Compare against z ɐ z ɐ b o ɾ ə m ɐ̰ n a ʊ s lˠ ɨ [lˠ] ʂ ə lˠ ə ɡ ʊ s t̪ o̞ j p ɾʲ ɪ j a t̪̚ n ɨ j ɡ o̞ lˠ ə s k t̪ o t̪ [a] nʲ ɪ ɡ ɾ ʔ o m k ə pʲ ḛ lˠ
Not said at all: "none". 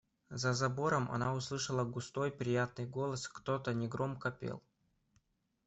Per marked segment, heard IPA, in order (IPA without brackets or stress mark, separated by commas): none, ə